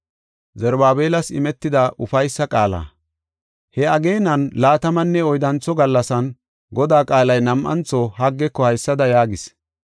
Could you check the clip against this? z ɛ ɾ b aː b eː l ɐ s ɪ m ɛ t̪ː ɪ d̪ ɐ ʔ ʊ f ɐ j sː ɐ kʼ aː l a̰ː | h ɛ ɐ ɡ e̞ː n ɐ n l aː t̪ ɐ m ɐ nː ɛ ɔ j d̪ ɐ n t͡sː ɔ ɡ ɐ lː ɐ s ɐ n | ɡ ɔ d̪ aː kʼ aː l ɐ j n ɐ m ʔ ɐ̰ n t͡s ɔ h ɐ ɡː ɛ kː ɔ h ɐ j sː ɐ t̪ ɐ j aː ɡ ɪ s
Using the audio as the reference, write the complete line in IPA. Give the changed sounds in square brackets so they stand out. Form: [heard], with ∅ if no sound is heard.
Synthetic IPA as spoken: z ɛ ɾ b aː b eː l ɐ s ɪ m ɛ t̪ː ɪ d̪ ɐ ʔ ʊ f ɐ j sː ɐ kʼ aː l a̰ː | h ɛ ɐ ɡ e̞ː n ɐ n l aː t̪ ɐ m ɐ nː ɛ ɔ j d̪ ɐ n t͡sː ɔ ɡ ɐ lː ɐ s ɐ n | ɡ ɔ d̪ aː kʼ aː l ɐ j n ɐ m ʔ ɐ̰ n t͡s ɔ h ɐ ɡː ɛ kː ɔ h ɐ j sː ɐ [d̪] ɐ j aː ɡ ɪ s